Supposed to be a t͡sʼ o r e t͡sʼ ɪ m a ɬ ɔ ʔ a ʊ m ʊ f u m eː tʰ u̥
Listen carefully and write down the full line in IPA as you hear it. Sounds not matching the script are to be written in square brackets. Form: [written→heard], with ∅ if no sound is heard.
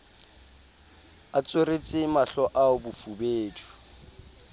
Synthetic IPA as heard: a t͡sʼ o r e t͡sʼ ɪ m a ɬ ɔ ʔ a ʊ [m→b] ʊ f u [m→b] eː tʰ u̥